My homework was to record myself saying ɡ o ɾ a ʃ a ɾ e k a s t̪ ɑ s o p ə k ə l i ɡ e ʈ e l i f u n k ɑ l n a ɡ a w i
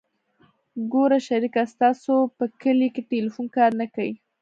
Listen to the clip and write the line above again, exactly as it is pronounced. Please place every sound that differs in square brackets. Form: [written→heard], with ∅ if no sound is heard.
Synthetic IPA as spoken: ɡ o ɾ a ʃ a ɾ [e→i] k a s t̪ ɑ s o p ə k ə l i [ɡ→k] e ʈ e l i f u n k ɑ [l→ɾ] n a [ɡ→k] a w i